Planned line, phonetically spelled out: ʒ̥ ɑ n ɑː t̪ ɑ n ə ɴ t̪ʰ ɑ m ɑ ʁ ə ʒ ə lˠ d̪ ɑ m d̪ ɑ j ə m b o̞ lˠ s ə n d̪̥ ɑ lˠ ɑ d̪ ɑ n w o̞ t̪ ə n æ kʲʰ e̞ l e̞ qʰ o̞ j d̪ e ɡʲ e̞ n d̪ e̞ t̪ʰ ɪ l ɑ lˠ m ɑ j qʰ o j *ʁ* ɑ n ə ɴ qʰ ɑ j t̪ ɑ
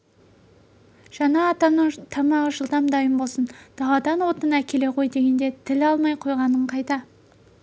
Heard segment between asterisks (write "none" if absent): ʁ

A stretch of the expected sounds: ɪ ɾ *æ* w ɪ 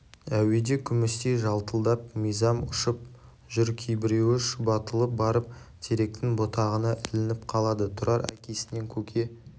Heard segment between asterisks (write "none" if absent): e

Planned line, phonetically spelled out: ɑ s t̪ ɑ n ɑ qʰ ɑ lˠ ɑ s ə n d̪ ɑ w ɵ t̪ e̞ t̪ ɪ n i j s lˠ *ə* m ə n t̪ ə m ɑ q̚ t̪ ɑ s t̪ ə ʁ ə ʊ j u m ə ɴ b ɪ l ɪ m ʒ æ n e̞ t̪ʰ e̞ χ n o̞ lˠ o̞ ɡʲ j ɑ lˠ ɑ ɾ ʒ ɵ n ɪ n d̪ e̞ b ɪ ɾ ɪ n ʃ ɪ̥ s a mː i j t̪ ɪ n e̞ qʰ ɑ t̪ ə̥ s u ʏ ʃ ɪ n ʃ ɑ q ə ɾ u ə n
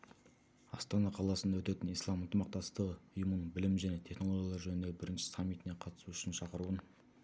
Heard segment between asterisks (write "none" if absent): ɑ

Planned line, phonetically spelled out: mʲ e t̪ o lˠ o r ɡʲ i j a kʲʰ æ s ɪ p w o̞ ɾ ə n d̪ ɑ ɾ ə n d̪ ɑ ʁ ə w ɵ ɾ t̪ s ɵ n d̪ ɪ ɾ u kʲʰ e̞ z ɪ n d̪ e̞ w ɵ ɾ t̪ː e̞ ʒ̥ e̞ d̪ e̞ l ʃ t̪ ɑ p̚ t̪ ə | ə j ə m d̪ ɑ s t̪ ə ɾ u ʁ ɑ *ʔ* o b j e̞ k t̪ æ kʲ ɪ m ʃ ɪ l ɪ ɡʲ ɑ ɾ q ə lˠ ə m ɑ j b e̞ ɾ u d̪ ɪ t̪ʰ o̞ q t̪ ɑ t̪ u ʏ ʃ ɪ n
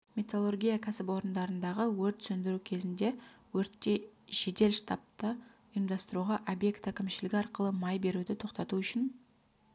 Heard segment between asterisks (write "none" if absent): ʔ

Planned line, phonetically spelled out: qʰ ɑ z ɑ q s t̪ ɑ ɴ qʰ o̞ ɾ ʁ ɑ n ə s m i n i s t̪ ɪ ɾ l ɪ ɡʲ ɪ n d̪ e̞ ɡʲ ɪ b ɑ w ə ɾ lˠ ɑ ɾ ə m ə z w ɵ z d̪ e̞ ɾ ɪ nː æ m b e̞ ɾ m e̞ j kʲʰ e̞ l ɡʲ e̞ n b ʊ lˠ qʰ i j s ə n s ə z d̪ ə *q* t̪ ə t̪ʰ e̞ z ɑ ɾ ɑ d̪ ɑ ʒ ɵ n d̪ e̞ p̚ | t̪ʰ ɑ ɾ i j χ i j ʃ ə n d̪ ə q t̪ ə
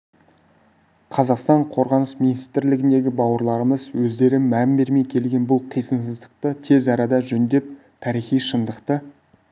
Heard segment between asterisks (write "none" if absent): q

